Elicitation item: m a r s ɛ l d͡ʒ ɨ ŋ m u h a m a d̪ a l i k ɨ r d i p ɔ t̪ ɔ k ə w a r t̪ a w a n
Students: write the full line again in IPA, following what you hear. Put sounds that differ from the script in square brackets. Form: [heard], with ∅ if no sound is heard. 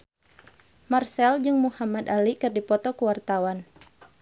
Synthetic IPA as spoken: m a r s ɛ l d͡ʒ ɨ ŋ m u h a m a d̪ a l i k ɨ r d i p ɔ t̪ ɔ k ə w a r t̪ a w a n